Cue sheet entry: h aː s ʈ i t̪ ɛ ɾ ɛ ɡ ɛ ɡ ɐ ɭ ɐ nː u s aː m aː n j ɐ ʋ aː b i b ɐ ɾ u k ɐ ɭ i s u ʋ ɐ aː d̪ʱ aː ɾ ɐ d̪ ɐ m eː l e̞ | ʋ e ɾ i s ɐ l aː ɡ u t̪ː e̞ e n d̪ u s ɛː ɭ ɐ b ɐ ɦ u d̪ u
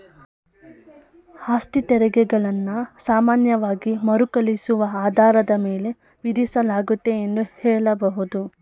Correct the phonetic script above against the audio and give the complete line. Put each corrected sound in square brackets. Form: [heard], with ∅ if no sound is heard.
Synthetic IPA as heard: h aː s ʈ i t̪ ɛ ɾ ɛ ɡ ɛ ɡ ɐ ɭ ɐ nː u s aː m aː n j ɐ ʋ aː [ɡ] i [m] ɐ ɾ u k ɐ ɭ i s u ʋ ɐ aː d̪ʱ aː ɾ ɐ d̪ ɐ m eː l e̞ | ʋ [i] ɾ i s ɐ l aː ɡ u t̪ː e̞ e n d̪ u [h] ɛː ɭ ɐ b ɐ ɦ u d̪ u

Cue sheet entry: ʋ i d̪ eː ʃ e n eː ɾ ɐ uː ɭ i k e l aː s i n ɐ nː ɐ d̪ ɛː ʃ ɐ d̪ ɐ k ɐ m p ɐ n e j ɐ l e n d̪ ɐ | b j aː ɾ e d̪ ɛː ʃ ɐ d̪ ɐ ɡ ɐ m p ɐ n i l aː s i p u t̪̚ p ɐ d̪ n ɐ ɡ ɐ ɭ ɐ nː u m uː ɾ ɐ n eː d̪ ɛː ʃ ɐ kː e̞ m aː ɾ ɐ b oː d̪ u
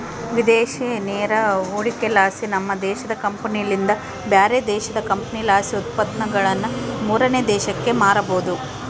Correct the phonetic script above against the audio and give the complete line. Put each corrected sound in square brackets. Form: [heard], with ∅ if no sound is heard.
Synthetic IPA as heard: ʋ i d̪ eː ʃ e n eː ɾ ɐ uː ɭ i k e l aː s i n ɐ [mː] ɐ d̪ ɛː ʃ ɐ d̪ ɐ k ɐ m p ɐ n [i] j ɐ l [i] n d̪ ɐ | b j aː ɾ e d̪ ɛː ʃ ɐ d̪ ɐ [k] ɐ m p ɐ n i l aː s i [∅] u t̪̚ p ɐ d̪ n ɐ ɡ ɐ ɭ ɐ nː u m uː ɾ ɐ n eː d̪ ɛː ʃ ɐ kː e̞ m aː ɾ ɐ b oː d̪ u

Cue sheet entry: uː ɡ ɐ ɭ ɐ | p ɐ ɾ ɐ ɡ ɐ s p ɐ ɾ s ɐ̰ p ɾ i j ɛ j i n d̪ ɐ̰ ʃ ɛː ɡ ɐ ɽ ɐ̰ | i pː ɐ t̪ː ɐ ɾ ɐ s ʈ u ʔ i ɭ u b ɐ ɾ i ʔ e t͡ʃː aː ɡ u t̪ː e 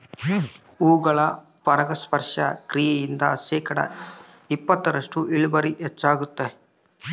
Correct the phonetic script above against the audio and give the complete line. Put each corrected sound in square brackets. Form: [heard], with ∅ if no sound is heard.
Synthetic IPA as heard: uː ɡ ɐ ɭ ɐ | p ɐ ɾ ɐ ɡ ɐ s p ɐ ɾ [ʂ] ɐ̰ [k] ɾ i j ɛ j i n d̪ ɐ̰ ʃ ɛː [k] ɐ ɽ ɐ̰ | i pː ɐ t̪ː ɐ ɾ ɐ [ʂ] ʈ u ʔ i ɭ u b ɐ ɾ i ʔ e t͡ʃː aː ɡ u t̪ː e

